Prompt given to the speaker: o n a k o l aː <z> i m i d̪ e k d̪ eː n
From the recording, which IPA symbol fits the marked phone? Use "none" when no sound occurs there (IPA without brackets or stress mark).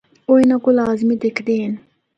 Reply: z